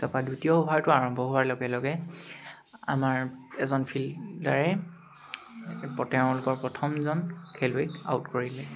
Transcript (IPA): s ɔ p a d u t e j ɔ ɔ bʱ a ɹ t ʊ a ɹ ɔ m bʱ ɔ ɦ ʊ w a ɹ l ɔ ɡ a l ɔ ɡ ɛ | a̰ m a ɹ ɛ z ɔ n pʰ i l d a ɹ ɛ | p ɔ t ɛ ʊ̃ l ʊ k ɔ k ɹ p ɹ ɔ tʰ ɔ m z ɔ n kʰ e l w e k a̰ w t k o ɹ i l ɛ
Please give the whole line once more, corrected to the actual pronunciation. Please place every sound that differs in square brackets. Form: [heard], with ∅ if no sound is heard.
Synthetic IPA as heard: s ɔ p a d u t [i] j ɔ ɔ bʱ a ɹ t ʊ a ɹ ɔ m bʱ ɔ ɦ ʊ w a ɹ l ɔ ɡ [ɛ] l ɔ ɡ ɛ | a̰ m a ɹ ɛ z ɔ n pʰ i l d a ɹ ɛ | p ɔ t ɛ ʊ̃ l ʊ k ɔ [∅] ɹ p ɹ ɔ tʰ ɔ m z ɔ n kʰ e l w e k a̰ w t k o ɹ i l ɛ

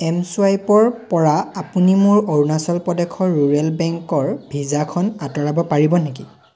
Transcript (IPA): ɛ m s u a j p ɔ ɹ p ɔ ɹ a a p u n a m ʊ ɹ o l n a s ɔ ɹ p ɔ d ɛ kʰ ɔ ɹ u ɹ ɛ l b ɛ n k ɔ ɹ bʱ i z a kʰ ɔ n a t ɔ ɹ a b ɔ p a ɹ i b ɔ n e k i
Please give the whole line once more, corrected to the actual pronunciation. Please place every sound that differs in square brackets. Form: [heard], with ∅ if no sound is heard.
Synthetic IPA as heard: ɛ m s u a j p ɔ ɹ p ɔ ɹ a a p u n [i] m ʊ ɹ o [ɹ] n a s ɔ [l] p ɔ d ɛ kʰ ɔ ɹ u ɹ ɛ l b ɛ [ŋ] k ɔ ɹ bʱ i z a kʰ ɔ n a t ɔ ɹ a b ɔ p a ɹ i b ɔ n e k i

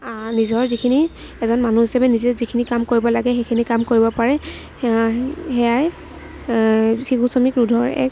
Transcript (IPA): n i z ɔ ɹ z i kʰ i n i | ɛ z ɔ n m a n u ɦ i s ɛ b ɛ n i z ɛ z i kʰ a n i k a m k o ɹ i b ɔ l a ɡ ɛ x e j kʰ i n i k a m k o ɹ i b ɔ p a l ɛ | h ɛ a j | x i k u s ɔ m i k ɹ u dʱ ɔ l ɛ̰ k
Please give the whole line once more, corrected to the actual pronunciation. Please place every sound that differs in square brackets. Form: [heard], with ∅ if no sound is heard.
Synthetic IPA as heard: n i z ɔ ɹ z i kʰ i n i | ɛ z ɔ n m a n u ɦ i s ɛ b ɛ n i z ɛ z i kʰ [i] n i k a m k o ɹ i b ɔ l a ɡ ɛ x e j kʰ i n i k a m k o ɹ i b ɔ p a [ɹ] ɛ | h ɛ a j | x i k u s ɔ m i k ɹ u dʱ ɔ [ɹ] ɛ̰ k

